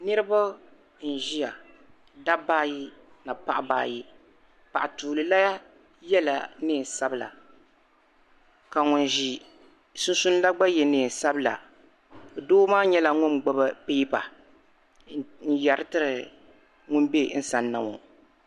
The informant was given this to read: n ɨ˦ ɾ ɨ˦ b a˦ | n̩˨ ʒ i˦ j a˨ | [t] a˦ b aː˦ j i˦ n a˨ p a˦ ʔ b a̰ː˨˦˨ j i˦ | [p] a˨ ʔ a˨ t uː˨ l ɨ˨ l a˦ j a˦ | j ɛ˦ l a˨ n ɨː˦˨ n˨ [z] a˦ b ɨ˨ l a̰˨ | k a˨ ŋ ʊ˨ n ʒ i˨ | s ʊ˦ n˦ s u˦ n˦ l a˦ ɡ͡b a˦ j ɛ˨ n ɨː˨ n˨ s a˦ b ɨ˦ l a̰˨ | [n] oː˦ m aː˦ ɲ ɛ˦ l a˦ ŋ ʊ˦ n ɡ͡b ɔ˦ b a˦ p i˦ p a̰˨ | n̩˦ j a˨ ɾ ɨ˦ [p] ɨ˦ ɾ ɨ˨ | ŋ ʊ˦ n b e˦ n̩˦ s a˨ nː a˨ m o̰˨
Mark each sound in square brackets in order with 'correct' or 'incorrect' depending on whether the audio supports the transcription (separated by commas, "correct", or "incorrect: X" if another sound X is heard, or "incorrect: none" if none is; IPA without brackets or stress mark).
incorrect: d, correct, incorrect: s, incorrect: d, incorrect: t